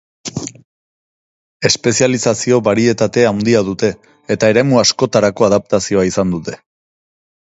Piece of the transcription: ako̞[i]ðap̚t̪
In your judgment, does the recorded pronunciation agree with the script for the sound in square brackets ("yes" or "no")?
no